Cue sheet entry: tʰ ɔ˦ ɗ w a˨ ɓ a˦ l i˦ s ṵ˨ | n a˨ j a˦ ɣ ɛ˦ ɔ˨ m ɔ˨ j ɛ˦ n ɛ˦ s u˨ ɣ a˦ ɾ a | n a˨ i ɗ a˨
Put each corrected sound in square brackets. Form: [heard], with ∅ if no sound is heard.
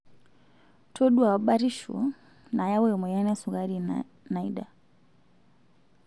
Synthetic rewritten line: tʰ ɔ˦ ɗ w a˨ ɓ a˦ [ɾ] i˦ [ʃ] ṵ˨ | n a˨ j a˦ [w] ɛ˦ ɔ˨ m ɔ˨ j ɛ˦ n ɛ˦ s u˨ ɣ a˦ ɾ [i] | n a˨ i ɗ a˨